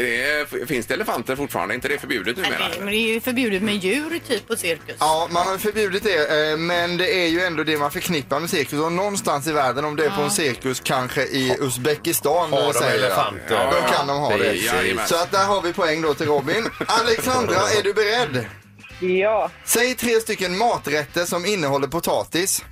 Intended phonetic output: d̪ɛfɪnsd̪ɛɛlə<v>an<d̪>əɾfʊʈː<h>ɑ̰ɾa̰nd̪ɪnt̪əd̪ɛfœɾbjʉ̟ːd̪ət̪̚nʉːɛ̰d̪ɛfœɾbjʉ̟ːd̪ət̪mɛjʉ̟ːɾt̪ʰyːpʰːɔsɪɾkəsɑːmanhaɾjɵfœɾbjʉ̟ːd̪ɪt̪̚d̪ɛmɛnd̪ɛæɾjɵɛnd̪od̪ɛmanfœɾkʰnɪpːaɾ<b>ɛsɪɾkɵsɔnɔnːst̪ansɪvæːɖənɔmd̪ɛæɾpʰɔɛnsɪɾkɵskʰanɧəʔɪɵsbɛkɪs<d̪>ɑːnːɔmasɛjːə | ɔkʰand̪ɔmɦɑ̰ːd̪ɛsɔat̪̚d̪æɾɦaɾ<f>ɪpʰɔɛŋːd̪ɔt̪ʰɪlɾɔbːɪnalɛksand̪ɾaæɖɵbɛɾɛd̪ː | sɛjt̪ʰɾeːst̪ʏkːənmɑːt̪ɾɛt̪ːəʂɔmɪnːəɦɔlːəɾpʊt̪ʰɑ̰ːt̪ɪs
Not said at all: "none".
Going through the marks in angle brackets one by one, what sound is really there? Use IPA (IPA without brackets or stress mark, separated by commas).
f, t̪, f, m, t̪, v